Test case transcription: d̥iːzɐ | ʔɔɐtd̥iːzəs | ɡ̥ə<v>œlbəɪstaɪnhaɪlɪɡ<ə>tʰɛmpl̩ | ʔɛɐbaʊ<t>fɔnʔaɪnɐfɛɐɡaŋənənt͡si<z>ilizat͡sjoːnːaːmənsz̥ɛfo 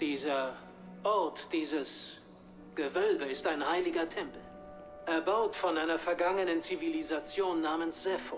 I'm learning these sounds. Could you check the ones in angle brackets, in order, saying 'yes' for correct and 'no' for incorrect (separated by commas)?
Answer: yes, no, yes, no